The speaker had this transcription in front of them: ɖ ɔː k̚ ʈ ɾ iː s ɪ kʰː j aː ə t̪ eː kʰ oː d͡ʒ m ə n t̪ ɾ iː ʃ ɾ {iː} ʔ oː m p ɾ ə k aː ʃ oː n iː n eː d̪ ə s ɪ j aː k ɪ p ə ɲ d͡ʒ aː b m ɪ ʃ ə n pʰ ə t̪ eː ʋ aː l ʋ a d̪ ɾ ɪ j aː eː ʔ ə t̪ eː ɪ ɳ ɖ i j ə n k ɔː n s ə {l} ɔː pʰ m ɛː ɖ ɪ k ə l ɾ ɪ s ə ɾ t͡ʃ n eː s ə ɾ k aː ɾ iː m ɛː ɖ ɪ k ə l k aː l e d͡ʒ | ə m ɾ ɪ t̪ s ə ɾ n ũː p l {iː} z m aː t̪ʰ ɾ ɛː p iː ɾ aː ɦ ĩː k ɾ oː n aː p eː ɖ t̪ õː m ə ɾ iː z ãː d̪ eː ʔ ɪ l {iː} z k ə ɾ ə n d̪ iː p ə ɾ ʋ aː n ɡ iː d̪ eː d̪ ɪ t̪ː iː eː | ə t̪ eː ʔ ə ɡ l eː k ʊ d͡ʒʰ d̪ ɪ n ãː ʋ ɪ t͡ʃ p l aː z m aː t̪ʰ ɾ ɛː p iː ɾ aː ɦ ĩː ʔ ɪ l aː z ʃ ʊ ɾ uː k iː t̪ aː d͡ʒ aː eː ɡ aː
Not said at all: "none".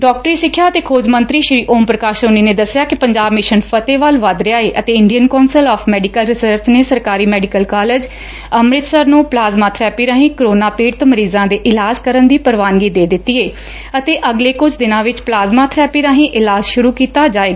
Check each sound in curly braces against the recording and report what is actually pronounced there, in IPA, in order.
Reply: iː, l, aː, aː

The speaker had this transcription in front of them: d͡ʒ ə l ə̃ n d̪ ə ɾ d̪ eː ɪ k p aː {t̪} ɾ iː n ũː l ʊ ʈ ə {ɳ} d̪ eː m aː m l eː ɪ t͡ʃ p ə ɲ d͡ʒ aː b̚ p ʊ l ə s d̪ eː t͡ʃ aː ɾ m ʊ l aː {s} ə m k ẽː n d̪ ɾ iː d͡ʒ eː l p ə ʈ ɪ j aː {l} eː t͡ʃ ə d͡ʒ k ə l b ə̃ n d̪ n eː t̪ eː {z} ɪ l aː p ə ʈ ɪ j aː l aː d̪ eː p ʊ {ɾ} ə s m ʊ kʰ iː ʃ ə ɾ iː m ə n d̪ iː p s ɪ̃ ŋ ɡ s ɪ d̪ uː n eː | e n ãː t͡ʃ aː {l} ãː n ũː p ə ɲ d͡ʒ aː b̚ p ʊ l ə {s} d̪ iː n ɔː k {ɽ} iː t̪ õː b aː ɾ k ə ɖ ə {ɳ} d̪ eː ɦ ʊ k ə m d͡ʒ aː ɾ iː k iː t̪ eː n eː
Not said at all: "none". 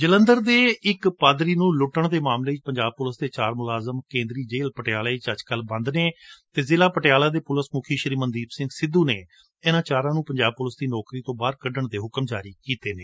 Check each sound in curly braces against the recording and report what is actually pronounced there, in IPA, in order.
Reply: d̪, ɳ, z, l, z, l, ɾ, s, ɾ, ɳ

